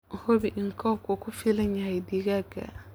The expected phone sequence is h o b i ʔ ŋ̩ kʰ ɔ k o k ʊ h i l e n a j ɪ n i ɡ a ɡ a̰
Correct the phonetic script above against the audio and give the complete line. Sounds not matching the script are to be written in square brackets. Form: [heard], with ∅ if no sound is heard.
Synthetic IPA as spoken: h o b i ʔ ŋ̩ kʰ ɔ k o k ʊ [f] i l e [ɲ] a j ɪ [d] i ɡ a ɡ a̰